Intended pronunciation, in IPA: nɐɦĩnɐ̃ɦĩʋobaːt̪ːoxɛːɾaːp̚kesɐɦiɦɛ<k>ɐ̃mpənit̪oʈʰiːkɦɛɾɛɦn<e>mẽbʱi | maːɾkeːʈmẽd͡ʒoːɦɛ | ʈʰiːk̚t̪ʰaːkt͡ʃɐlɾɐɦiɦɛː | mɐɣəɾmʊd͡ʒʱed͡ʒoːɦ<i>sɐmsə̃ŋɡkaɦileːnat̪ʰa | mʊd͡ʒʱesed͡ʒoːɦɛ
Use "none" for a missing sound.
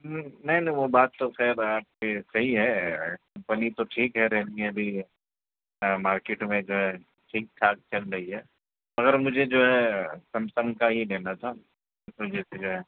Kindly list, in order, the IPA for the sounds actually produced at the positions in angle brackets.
k, i, ɛ

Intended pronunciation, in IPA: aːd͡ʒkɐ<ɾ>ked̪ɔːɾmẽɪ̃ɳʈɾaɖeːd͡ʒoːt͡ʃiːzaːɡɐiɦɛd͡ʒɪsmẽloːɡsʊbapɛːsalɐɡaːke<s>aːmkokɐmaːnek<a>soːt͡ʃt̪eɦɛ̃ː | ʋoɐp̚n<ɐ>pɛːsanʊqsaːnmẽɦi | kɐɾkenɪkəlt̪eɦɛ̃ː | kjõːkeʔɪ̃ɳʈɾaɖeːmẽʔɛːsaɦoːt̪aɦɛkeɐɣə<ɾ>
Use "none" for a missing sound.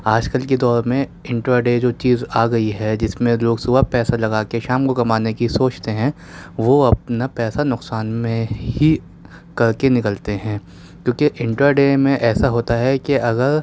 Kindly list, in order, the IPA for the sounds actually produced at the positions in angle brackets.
l, ʃ, i, a, ɾ

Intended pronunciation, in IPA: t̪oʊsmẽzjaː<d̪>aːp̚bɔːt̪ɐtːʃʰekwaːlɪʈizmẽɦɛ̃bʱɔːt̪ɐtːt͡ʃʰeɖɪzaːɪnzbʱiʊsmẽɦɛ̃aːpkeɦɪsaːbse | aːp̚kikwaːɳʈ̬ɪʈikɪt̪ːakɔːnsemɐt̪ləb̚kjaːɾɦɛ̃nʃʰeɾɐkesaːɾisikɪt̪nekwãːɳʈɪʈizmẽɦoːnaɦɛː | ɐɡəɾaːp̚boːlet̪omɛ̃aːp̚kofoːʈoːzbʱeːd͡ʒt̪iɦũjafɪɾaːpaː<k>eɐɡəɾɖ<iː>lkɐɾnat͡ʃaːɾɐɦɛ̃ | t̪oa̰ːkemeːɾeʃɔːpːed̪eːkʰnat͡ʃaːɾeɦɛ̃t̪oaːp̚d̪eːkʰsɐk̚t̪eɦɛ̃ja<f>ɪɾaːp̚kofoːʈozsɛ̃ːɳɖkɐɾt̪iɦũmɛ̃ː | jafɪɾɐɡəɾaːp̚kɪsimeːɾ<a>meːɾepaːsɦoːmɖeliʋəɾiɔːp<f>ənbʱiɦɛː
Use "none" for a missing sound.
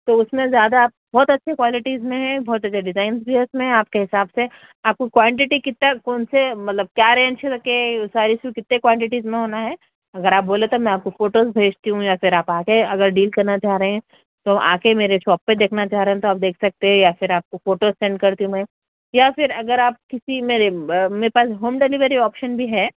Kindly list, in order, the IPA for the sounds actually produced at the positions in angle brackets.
d̪, k, iː, f, e, ʃ

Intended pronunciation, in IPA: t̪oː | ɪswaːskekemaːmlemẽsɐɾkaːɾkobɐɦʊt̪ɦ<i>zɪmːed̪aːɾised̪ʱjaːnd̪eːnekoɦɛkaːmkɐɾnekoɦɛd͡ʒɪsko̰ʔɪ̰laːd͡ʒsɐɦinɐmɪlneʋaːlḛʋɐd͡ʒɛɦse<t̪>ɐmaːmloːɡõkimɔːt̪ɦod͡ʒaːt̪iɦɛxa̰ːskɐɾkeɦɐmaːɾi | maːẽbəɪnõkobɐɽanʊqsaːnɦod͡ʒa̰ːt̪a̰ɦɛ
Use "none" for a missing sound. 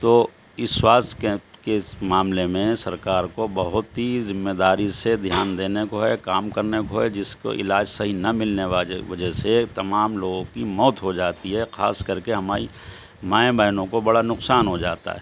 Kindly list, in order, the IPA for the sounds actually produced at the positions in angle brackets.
i, t̪

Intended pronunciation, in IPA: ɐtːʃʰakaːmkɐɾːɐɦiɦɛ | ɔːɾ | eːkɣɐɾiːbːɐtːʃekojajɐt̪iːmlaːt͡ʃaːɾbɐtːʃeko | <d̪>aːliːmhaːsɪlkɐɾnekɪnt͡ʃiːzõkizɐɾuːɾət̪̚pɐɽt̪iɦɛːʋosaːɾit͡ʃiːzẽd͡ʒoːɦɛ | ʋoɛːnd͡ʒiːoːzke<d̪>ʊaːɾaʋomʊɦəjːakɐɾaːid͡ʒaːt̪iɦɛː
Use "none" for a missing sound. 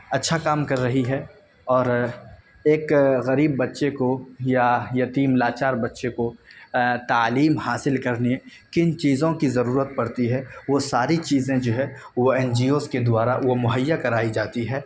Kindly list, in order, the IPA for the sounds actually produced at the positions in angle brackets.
t̪, d̪

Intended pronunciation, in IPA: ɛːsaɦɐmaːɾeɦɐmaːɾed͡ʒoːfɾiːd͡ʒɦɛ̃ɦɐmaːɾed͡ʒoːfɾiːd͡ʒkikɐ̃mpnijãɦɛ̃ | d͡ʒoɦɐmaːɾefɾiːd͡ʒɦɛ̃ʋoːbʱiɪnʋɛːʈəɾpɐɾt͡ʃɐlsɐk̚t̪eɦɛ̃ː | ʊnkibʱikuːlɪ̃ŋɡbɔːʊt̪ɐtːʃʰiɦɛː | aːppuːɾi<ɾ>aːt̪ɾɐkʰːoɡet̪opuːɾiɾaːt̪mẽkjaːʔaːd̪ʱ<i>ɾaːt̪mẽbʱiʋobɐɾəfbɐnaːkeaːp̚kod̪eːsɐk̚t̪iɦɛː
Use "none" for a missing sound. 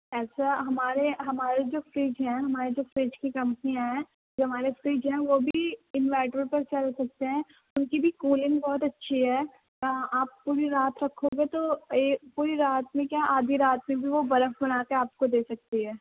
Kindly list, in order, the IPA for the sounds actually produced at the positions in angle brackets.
ɾ, i

